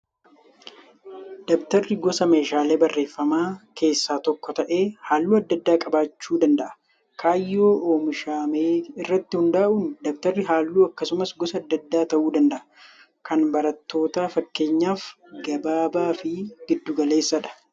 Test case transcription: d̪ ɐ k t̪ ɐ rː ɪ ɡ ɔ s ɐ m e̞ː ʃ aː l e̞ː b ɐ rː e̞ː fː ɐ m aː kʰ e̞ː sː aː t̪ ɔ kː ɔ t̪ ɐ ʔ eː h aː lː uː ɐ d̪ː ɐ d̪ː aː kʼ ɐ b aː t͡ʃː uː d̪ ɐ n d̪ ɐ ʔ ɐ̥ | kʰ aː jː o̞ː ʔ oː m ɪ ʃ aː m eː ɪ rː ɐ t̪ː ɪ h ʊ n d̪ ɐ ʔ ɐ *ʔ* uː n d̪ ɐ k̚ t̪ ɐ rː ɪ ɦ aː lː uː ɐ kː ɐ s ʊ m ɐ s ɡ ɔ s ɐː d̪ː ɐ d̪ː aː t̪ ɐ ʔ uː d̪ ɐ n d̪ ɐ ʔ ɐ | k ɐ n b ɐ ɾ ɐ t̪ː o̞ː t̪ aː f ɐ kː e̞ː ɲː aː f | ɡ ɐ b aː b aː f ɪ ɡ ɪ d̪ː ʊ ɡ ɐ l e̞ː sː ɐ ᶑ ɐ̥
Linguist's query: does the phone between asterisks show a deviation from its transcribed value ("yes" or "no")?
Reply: no